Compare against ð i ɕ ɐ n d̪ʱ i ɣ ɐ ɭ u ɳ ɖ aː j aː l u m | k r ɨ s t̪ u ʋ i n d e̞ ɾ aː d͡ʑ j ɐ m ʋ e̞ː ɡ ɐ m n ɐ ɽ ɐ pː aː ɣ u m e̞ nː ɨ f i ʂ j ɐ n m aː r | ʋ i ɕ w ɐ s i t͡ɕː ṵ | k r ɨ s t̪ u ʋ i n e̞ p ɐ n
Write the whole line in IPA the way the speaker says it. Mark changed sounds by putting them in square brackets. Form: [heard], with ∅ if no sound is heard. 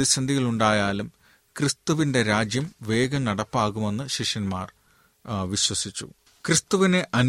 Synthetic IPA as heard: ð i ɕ ɐ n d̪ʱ i ɣ ɐ ɭ u ɳ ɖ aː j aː l u m | k r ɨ s t̪ u ʋ i n d e̞ ɾ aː d͡ʑ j ɐ m ʋ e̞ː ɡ ɐ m n ɐ ɽ ɐ pː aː ɣ u m e̞ nː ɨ [ɕ] i ʂ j ɐ n m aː r | ʋ i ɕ w ɐ s i t͡ɕː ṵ | k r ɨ s t̪ u ʋ i n e̞ [ʔ] ɐ n